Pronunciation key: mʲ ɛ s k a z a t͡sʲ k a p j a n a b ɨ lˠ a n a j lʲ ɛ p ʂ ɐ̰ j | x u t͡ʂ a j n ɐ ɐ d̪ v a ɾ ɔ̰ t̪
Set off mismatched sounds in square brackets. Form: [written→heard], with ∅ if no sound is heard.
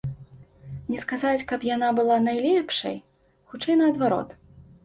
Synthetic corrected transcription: [mʲ→nʲ] ɛ s k a z a t͡sʲ k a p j a n a b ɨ lˠ a n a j lʲ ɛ p ʂ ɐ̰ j | x u t͡ʂ [a→ɛ] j n ɐ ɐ d̪ v a ɾ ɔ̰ t̪